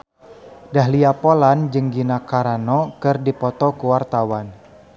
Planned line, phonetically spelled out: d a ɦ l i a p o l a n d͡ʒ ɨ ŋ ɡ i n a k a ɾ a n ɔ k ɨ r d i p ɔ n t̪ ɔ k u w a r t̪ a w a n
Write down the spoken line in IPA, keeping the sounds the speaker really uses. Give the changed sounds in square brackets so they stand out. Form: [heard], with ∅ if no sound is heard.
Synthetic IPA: d a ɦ l i a p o l a n d͡ʒ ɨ ŋ ɡ i n a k a ɾ a n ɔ k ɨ r d i p ɔ [∅] t̪ ɔ k u w a r t̪ a w a n